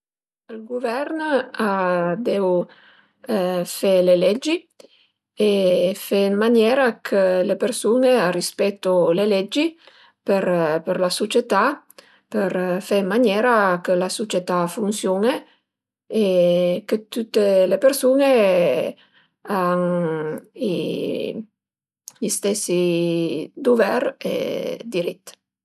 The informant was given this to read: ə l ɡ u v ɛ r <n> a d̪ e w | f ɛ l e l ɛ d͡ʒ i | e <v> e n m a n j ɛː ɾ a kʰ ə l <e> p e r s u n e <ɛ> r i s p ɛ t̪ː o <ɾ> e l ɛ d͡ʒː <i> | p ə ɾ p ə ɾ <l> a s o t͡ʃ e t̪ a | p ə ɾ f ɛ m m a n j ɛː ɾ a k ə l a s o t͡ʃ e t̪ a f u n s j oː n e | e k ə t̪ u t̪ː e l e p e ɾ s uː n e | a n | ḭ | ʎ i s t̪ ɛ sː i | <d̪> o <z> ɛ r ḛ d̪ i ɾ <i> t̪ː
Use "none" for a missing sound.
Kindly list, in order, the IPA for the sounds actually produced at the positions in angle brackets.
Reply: n, f, e, a, l, i, l, d̪, v, i

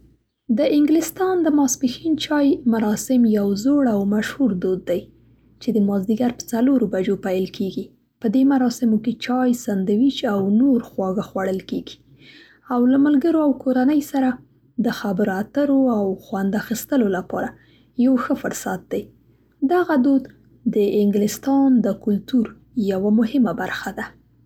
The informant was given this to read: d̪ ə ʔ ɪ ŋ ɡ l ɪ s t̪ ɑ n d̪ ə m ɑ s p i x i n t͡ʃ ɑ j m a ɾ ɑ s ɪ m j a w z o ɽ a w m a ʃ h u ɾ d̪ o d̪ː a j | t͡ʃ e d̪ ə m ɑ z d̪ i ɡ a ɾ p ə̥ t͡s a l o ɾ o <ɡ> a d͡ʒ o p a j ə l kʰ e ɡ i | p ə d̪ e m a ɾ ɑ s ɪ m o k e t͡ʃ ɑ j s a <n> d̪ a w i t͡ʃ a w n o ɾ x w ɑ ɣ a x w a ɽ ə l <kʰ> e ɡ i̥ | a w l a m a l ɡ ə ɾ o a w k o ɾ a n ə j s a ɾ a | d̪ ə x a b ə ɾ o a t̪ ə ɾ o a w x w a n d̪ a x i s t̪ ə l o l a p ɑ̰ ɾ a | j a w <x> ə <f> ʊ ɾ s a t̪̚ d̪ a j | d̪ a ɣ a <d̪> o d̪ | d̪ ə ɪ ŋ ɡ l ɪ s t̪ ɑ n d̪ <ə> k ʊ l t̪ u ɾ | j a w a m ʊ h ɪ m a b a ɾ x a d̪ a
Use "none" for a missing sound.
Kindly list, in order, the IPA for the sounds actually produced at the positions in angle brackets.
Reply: b, n, k, x, f, d̪, ə

